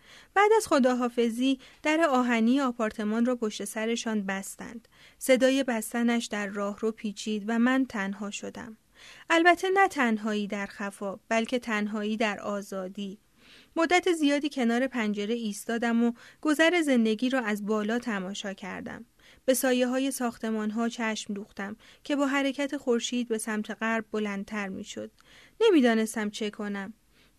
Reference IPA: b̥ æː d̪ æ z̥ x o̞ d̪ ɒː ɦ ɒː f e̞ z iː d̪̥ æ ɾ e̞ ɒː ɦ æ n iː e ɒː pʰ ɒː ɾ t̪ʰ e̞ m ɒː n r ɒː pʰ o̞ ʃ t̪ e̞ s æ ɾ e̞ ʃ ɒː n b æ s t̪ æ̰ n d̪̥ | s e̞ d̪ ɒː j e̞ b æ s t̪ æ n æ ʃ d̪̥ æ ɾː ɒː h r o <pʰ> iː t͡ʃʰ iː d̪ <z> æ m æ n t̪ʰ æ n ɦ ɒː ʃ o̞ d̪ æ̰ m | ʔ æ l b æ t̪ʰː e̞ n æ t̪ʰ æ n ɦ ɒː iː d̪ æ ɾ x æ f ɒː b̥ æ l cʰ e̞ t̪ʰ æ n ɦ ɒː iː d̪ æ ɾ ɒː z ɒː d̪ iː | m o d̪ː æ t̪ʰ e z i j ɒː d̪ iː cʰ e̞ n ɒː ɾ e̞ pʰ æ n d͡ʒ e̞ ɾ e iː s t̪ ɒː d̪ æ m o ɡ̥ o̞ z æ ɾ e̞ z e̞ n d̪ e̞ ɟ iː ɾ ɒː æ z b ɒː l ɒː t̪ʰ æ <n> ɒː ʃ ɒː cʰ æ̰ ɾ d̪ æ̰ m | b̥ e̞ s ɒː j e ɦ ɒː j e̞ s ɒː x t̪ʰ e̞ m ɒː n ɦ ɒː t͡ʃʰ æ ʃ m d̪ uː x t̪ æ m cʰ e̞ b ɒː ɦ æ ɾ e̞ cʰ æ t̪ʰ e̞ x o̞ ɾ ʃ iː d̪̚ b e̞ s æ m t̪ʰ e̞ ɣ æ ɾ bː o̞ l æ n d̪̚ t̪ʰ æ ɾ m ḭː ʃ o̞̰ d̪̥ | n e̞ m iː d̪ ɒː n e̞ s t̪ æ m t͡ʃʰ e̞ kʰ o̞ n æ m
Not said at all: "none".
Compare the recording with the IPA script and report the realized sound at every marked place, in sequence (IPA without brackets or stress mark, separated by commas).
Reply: pʰ, v, m